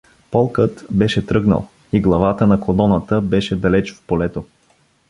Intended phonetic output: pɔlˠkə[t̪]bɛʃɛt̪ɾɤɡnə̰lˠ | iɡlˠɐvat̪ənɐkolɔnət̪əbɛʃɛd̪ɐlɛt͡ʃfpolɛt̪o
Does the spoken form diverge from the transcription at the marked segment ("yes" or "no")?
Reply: no